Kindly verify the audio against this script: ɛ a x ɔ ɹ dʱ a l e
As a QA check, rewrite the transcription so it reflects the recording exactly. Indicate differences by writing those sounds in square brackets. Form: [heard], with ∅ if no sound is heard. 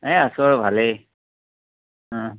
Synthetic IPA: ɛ a [s] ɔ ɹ [bʱ] a l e